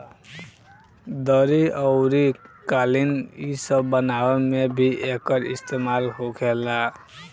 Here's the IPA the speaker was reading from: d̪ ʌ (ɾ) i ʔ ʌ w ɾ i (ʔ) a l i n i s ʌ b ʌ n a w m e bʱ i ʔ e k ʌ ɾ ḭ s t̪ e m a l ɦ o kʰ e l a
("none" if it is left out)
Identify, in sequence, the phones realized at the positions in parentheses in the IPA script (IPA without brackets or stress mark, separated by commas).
ɾ, k